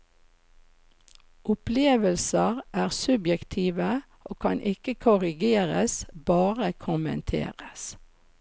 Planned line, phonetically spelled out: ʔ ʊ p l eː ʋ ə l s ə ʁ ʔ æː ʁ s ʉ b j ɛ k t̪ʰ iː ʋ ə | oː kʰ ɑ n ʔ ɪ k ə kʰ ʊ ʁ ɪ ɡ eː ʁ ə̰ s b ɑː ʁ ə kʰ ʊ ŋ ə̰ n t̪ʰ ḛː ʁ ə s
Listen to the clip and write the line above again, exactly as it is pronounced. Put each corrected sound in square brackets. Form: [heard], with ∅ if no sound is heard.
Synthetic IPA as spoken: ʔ ʊ p l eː ʋ ə l s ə ʁ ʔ æː ʁ s ʉ b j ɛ k t̪ʰ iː ʋ ə | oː kʰ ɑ n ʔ ɪ k ə kʰ ʊ ʁ ɪ ɡ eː ʁ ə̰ s b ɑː ʁ ə kʰ ʊ [m] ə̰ n t̪ʰ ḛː ʁ ə s

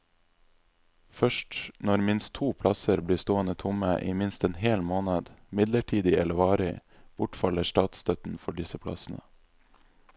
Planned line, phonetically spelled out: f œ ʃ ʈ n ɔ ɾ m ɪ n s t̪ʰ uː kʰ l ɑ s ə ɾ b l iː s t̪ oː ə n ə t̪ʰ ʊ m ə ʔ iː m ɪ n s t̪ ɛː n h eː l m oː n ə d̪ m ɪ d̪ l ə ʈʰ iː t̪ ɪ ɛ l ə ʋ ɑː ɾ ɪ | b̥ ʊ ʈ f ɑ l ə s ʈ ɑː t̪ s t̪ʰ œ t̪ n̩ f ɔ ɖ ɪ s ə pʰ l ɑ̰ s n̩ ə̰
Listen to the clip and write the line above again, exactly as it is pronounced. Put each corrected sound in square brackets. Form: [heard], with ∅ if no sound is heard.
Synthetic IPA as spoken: f œ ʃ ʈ n ɔ ɾ m ɪ n s t̪ʰ uː [pʰ] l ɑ s ə ɾ b l iː s t̪ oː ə n ə t̪ʰ ʊ m ə ʔ iː m ɪ n s t̪ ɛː n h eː l m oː n ə d̪ m ɪ d̪ l ə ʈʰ iː [d̪] ɪ ɛ l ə ʋ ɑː ɾ ɪ | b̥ ʊ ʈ f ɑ l ə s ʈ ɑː t̪ s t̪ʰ œ t̪ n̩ f ɔ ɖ ɪ s ə pʰ l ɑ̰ s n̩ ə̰

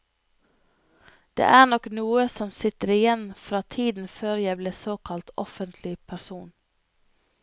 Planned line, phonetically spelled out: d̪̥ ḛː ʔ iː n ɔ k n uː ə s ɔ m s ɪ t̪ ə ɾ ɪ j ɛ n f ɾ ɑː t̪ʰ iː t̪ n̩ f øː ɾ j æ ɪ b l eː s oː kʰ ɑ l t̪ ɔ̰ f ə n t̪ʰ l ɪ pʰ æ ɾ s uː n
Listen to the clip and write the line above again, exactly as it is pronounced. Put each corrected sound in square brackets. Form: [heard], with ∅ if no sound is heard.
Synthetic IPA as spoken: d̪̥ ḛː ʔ [æː] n ɔ k n uː ə s ɔ m s ɪ t̪ ə ɾ ɪ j ɛ n f ɾ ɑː t̪ʰ iː [d̪] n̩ f øː ɾ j æ ɪ b l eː s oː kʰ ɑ l t̪ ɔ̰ f ə n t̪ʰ l ɪ pʰ æ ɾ s uː n

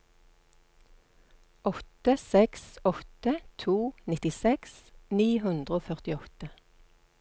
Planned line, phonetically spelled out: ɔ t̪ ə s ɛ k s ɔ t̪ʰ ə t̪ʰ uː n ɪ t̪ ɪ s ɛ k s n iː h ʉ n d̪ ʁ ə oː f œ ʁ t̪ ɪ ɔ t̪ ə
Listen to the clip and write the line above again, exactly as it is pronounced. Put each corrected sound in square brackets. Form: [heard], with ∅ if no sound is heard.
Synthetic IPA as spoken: ɔ t̪ ə s ɛ k s ɔ [t̪] ə t̪ʰ uː n ɪ t̪ ɪ s ɛ k s n iː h ʉ n d̪ ʁ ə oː f œ ʁ t̪ ɪ ɔ t̪ ə

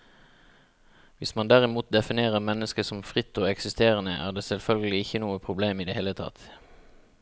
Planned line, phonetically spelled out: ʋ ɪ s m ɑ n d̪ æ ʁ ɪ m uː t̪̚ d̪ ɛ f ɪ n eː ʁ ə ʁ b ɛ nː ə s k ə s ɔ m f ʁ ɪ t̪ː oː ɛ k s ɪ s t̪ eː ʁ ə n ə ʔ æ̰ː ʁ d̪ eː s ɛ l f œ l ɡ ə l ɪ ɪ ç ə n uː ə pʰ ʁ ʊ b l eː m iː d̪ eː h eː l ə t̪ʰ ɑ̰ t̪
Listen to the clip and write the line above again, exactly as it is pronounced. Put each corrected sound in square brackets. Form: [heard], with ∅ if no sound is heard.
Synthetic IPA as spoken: ʋ ɪ s m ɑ n d̪ æ ʁ ɪ m uː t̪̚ d̪ ɛ f ɪ n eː ʁ ə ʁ [m] ɛ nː ə s k ə s ɔ m f ʁ ɪ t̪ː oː ɛ k s ɪ s t̪ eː ʁ ə n ə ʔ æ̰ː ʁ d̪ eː s ɛ l f œ l ɡ ə l ɪ ɪ ç ə n uː ə pʰ ʁ ʊ b l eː m iː d̪ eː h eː l ə t̪ʰ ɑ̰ t̪

